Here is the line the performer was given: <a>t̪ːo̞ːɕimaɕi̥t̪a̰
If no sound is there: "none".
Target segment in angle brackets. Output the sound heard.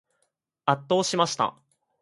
a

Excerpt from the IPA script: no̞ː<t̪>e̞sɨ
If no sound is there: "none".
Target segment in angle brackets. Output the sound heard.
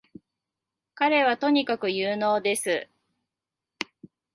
d̪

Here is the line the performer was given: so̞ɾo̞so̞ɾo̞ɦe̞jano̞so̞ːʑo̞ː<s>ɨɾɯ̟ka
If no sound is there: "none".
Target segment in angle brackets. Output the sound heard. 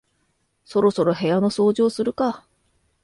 s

